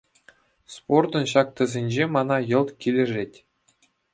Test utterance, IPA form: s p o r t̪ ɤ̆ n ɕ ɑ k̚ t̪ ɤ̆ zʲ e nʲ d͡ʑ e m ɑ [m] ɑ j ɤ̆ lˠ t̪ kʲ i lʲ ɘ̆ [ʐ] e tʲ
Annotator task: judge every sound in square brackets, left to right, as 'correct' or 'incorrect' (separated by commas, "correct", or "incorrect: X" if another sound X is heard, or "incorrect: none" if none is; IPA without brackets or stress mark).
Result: incorrect: n, correct